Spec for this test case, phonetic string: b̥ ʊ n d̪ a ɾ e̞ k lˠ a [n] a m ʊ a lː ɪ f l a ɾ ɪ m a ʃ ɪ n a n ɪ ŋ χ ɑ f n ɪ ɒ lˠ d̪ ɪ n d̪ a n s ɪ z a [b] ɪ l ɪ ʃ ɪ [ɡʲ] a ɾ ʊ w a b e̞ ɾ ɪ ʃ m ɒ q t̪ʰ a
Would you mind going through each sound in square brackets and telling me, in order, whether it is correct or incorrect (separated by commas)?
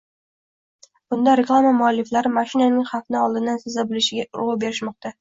incorrect, correct, correct